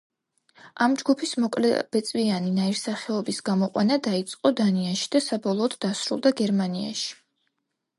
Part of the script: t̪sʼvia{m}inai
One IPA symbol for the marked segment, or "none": n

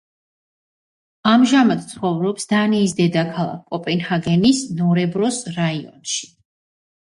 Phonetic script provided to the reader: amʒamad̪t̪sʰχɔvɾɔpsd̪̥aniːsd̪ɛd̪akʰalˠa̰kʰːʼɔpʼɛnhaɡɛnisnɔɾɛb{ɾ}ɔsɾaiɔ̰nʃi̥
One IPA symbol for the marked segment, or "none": ɾ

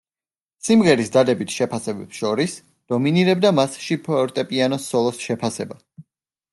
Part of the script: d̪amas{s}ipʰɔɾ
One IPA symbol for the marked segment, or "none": ʃ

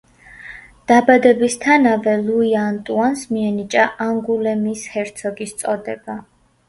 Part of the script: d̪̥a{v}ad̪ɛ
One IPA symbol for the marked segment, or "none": b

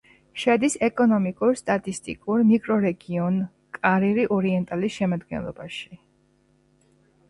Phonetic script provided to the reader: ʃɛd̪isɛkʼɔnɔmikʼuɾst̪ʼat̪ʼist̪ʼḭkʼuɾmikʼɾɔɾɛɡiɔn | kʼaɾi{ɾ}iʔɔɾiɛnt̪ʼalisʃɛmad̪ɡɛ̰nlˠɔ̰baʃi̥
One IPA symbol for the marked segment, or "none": ɾ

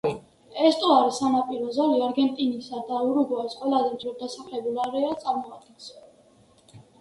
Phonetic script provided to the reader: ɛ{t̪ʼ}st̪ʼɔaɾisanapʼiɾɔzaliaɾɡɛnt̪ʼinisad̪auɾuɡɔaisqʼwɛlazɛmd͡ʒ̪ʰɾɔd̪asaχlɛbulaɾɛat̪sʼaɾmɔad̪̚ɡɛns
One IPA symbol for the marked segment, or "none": none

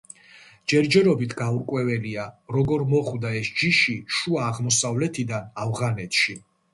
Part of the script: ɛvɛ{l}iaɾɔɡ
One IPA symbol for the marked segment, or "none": l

